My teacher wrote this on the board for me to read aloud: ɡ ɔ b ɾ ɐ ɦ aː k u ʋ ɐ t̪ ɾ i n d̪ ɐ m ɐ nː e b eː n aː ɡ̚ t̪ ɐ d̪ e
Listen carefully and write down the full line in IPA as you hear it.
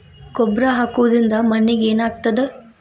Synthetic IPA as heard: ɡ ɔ b ɾ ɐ ɦ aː k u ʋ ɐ d̪ ɾ i n d̪ ɐ m ɐ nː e ɡ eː n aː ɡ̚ t̪ ɐ d̪ e